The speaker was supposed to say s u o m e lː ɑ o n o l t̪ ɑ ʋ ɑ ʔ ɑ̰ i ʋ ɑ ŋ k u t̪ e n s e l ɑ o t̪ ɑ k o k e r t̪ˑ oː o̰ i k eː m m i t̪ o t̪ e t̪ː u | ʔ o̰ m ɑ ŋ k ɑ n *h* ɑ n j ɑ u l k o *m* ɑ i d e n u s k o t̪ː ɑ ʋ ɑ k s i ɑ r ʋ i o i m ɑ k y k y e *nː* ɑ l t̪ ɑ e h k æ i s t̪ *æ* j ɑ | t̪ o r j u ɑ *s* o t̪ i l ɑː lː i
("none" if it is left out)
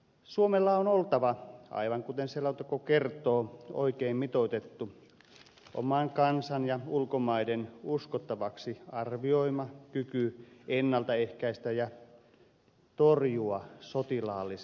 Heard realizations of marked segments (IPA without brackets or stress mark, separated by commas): s, m, nː, æ, s